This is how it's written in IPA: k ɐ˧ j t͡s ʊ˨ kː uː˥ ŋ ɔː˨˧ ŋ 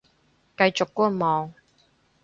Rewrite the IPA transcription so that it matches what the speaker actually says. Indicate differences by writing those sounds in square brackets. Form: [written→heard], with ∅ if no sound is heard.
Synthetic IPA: k ɐ˧ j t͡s ʊ˨ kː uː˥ [ŋ→m] ɔː˨˧ ŋ